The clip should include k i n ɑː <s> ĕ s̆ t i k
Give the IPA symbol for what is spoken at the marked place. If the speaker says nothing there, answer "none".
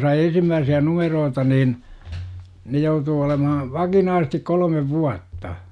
s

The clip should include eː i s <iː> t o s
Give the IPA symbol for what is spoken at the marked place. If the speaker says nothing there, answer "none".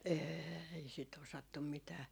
i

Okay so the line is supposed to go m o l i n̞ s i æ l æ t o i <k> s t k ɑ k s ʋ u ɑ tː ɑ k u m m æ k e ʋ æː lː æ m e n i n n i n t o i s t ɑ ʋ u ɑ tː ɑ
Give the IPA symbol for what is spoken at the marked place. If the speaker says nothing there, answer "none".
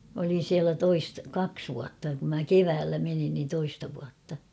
none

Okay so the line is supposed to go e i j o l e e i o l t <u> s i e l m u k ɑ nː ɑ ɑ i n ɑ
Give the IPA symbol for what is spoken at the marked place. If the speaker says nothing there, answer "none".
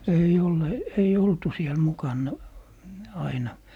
u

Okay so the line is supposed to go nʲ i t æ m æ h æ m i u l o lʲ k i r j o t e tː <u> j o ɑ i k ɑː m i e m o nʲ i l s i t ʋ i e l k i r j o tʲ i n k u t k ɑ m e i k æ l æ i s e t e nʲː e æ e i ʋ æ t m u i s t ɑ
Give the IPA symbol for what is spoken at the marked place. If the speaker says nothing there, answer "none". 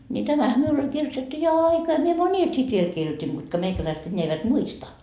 u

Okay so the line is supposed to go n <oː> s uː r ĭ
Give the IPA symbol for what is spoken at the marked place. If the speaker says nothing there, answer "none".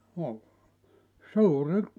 o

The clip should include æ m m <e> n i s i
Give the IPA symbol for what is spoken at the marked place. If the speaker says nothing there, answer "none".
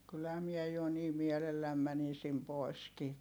æ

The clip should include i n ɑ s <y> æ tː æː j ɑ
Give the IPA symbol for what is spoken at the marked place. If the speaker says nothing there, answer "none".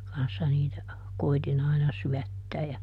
y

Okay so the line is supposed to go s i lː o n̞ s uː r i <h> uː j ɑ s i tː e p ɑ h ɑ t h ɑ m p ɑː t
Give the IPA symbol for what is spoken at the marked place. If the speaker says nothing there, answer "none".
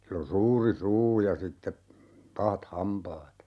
s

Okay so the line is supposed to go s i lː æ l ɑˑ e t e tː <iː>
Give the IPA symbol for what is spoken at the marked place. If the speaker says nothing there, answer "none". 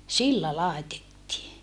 iː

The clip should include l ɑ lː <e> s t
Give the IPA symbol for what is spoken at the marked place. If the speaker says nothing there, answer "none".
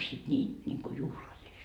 i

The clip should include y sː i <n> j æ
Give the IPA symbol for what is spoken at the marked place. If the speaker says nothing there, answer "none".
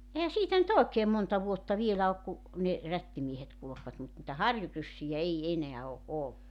none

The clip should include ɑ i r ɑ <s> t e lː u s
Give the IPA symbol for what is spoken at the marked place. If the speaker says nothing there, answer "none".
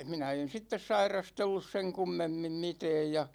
s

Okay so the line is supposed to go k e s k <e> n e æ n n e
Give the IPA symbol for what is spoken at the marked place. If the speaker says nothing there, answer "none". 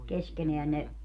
e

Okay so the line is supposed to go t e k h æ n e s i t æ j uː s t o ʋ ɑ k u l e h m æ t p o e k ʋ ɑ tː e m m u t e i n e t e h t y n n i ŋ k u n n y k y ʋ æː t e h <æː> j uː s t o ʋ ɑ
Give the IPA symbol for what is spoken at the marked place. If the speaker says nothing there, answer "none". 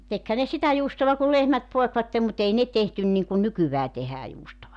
æː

